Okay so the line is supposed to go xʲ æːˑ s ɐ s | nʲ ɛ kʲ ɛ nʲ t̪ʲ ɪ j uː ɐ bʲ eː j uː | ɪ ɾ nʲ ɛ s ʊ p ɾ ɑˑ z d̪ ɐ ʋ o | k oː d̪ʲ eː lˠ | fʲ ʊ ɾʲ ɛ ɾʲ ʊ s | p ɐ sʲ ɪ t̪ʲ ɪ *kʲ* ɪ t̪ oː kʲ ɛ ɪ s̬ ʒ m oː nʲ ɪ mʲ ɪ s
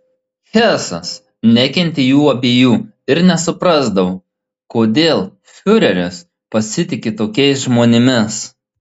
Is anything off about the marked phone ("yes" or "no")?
no